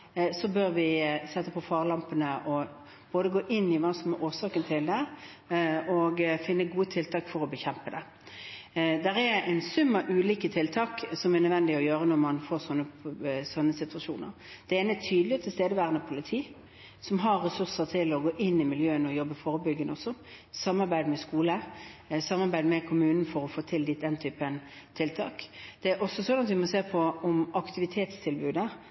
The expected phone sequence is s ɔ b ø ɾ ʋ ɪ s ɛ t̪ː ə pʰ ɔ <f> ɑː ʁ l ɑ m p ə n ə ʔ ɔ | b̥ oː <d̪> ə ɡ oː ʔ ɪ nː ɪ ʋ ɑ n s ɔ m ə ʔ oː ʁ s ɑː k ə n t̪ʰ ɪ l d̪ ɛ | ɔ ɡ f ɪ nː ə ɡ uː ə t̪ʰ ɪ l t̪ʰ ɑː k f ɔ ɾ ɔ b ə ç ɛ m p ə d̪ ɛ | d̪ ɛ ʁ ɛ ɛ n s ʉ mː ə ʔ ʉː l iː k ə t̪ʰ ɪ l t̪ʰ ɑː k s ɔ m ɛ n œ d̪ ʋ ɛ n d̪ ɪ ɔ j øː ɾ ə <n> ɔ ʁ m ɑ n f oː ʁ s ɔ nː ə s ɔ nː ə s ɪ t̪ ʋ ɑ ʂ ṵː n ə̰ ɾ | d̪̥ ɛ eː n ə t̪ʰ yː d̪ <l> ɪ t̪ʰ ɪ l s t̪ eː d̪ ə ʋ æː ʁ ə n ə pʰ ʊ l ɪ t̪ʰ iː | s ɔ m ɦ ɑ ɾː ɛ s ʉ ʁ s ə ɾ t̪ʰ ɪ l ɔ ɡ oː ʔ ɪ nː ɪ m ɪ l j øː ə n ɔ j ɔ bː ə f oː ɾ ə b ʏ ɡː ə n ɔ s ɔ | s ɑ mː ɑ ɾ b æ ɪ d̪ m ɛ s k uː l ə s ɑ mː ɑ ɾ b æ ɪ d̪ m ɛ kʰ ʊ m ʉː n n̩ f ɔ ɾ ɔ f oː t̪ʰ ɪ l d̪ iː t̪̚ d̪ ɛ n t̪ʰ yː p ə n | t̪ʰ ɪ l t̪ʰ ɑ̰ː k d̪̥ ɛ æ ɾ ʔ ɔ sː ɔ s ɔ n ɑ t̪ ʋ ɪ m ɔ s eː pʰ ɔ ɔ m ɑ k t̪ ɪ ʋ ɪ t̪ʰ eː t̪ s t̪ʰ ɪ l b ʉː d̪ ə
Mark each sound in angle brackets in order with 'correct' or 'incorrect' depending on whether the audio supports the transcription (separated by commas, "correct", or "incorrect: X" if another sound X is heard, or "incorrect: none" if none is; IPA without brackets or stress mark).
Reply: correct, correct, correct, correct